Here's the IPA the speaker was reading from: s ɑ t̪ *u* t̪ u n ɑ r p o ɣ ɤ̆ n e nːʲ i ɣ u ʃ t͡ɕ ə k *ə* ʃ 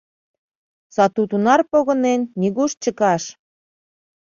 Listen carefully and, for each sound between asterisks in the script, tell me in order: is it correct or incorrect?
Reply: correct, incorrect: ɑ

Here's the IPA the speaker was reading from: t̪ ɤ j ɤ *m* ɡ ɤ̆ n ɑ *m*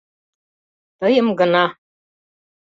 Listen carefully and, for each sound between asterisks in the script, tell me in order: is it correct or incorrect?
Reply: correct, incorrect: none

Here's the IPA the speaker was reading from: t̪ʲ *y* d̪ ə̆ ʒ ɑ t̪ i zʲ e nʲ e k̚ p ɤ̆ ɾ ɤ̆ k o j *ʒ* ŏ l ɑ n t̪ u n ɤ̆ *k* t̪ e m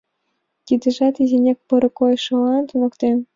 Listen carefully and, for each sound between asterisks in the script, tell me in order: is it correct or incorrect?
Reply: incorrect: i, incorrect: ʃ, correct

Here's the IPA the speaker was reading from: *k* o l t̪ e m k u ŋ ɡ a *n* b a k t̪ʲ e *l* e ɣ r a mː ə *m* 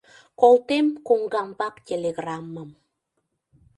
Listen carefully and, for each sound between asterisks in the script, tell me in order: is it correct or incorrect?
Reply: correct, incorrect: m, correct, correct

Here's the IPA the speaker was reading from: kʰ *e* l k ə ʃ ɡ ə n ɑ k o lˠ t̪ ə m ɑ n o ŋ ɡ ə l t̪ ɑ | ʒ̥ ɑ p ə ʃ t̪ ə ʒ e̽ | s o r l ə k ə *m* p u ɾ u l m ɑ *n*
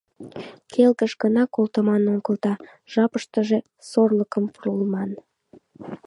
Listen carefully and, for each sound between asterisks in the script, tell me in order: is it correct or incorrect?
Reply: correct, correct, correct

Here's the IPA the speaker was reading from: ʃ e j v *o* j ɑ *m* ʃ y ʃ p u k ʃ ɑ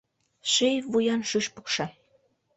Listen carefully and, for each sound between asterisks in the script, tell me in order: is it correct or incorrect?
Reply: incorrect: u, incorrect: n

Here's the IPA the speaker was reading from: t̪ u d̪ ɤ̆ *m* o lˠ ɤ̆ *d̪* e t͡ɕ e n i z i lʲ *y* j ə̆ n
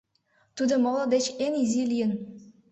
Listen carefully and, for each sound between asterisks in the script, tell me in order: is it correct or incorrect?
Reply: correct, correct, incorrect: i

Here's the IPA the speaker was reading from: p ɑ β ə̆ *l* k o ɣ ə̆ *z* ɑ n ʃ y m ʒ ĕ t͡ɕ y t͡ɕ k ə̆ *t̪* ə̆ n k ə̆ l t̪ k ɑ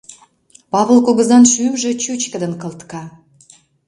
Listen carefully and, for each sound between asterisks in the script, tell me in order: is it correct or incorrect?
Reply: correct, correct, incorrect: d̪

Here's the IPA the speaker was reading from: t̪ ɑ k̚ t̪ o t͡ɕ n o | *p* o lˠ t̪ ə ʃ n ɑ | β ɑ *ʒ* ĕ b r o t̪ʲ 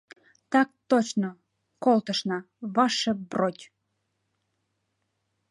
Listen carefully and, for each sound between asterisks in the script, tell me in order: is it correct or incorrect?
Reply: incorrect: k, incorrect: ʃ

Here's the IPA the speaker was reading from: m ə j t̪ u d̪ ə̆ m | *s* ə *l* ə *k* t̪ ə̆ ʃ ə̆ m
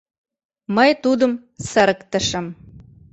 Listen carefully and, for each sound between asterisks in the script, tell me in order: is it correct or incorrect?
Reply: correct, incorrect: ɾ, correct

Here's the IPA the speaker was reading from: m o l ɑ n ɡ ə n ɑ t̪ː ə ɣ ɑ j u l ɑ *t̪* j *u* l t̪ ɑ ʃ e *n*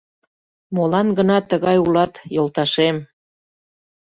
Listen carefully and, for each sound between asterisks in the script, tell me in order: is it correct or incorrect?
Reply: correct, incorrect: o, incorrect: m

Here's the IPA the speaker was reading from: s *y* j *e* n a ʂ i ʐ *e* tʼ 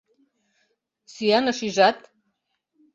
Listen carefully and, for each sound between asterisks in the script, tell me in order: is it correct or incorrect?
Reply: incorrect: i, incorrect: a, incorrect: a

